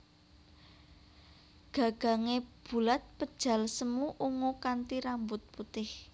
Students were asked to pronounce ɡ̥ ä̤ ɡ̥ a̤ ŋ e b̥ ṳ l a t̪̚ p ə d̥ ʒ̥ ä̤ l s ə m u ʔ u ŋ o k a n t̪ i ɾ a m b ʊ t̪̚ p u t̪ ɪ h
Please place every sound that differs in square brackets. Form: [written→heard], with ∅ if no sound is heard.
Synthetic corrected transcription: ɡ̥ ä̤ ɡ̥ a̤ ŋ e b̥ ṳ l a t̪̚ p ə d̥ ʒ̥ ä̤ l s ə m u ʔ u ŋ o k a n t̪ i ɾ a m b ʊ t̪̚ p u t̪ ɪ h